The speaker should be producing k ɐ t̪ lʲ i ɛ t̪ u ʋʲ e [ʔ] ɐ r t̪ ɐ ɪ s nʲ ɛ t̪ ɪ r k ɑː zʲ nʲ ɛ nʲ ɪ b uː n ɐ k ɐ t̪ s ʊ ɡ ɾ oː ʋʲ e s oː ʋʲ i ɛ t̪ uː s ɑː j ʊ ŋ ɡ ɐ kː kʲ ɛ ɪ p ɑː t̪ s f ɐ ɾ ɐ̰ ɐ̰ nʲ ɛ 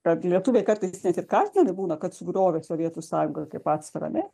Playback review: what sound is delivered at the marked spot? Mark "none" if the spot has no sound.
k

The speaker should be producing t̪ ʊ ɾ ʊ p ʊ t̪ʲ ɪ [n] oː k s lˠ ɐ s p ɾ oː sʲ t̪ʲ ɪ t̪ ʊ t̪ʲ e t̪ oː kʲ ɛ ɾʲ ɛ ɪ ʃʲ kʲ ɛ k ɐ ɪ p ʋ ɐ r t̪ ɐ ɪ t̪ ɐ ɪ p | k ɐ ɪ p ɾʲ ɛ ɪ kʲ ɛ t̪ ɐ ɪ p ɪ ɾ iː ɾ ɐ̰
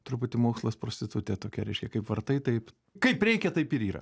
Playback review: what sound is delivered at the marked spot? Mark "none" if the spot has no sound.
m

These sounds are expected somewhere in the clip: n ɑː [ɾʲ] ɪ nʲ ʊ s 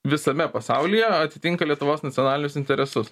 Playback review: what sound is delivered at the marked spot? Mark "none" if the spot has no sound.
lʲ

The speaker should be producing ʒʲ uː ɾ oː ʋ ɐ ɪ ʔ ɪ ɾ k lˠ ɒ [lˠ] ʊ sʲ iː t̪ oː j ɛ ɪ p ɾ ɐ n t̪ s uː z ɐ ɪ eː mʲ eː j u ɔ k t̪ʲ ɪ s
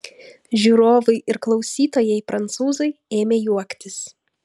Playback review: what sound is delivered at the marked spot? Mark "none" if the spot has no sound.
none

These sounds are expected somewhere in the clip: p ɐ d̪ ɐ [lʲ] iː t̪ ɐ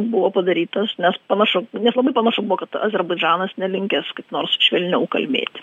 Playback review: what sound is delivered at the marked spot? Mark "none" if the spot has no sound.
ɾʲ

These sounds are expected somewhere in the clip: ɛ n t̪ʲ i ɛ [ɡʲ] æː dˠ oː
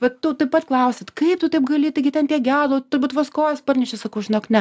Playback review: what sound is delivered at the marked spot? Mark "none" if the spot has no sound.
ɡʲ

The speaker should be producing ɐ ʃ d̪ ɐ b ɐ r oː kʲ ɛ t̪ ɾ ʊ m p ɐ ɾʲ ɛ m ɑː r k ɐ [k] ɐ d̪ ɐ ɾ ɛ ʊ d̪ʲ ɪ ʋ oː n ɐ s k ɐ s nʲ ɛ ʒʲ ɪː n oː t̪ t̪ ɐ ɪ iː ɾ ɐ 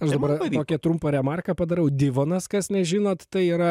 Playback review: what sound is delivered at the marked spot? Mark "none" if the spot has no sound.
p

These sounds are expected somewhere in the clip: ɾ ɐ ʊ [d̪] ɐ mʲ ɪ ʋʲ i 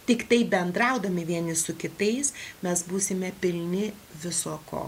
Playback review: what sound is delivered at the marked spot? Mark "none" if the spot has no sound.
d̪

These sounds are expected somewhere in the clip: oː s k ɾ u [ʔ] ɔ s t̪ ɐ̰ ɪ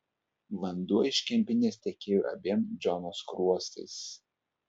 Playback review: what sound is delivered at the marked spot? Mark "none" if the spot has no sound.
none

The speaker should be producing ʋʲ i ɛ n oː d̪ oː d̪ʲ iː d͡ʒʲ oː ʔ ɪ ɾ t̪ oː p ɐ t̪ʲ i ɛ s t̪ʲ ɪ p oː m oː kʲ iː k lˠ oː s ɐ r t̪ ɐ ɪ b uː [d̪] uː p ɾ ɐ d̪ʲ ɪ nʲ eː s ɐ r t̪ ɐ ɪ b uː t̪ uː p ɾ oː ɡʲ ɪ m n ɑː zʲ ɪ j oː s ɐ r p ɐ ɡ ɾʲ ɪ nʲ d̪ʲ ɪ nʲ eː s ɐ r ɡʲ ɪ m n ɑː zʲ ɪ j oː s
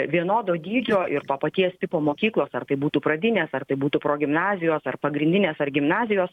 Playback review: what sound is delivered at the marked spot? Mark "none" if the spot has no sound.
t̪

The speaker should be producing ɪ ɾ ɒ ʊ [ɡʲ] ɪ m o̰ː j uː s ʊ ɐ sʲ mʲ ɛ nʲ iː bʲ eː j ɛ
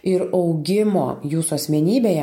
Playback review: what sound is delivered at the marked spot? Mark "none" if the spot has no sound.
ɡʲ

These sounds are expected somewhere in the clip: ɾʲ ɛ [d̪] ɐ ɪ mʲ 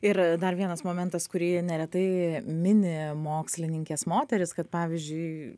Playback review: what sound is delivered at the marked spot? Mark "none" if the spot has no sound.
t̪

